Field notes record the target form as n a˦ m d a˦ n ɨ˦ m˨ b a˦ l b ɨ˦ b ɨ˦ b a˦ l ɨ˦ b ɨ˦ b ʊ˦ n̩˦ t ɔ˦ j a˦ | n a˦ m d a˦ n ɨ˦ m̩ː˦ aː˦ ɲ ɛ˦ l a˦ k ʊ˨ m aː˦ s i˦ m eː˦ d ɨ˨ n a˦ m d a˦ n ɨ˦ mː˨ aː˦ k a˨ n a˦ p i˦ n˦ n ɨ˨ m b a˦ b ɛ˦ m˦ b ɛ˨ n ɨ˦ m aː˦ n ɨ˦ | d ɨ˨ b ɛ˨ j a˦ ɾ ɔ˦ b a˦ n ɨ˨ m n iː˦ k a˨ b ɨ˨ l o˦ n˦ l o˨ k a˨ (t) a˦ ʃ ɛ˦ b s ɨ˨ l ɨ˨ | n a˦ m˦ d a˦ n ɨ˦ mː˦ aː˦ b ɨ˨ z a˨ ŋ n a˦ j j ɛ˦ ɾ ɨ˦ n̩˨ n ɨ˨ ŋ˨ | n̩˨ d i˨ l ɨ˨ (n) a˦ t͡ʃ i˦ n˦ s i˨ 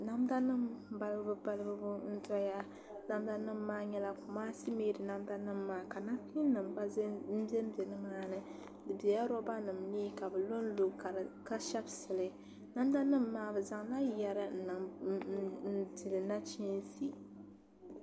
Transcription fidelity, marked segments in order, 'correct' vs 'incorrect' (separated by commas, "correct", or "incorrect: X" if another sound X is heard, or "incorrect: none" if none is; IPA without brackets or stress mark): incorrect: k, correct